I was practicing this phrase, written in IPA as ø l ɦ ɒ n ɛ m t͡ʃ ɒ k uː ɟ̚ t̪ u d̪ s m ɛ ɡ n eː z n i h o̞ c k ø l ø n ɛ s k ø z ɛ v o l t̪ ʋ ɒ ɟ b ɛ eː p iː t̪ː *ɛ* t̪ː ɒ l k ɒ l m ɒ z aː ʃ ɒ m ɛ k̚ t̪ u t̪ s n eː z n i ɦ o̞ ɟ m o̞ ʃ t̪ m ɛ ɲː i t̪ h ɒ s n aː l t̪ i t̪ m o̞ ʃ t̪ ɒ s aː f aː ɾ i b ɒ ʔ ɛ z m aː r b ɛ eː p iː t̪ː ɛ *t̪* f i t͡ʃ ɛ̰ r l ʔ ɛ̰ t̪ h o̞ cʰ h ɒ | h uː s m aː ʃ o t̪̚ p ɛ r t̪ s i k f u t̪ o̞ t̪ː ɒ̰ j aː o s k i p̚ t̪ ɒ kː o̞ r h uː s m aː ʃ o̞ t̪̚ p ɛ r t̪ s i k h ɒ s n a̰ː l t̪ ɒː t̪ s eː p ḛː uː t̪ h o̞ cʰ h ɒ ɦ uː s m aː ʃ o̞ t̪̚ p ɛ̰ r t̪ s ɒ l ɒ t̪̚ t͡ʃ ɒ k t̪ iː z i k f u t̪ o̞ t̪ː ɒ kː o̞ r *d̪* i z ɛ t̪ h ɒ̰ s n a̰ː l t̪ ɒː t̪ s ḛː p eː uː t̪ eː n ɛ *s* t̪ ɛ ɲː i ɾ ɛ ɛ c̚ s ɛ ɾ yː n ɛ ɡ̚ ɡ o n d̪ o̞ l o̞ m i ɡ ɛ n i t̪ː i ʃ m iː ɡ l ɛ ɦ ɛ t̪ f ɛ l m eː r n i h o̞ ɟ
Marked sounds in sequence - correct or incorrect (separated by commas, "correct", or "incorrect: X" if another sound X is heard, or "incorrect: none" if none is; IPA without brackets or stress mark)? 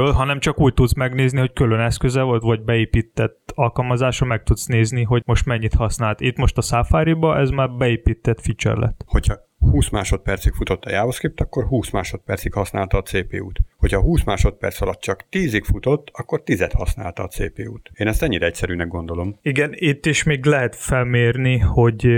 correct, correct, incorrect: t̪, correct